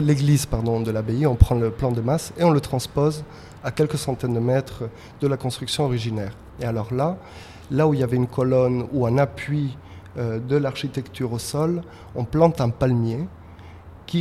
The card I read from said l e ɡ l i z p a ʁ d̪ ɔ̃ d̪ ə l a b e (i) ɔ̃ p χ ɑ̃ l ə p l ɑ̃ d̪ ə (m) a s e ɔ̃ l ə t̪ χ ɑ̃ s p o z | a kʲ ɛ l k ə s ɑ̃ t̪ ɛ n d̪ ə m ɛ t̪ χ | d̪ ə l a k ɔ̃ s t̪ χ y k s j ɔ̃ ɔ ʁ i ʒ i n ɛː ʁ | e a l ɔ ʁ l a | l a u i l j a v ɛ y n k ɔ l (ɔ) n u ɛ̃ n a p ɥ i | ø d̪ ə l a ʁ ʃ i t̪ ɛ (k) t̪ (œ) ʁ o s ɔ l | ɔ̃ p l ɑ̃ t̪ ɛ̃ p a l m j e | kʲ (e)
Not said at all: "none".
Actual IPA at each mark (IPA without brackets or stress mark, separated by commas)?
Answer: i, m, ɔ, k, y, i